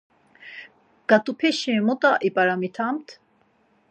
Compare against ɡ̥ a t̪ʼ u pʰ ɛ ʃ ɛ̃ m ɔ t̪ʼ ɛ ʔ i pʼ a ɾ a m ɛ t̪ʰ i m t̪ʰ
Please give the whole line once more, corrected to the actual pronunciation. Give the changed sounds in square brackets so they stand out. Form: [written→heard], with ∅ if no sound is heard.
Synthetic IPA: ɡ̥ a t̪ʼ u pʰ ɛ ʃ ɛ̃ m ɔ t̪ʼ [ɛ→a] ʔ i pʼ a ɾ a m [ɛ→i] t̪ʰ [i→a] m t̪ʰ